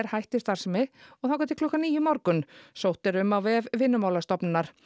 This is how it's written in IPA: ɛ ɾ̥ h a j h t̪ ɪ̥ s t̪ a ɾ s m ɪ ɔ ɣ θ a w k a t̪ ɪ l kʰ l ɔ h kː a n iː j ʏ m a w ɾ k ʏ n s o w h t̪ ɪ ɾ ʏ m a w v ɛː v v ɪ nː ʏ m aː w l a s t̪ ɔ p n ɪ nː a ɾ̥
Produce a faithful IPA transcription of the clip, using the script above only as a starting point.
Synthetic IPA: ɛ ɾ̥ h a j h t̪ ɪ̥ s t̪ a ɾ s m ɪ ɔ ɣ θ a w k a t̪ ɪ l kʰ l ɔ h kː a n iː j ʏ m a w ɾ k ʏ n s o w h t̪ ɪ ɾ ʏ m a w v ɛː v v ɪ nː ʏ m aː w l a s t̪ ɔ p n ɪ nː a ɾ̥